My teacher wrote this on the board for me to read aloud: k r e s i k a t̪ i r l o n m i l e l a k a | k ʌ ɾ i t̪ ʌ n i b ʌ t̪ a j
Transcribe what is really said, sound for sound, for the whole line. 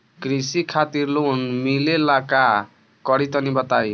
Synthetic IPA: k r i s i kʰ a t̪ i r l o n m i l e l a k a | k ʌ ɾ i t̪ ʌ n i b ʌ t̪ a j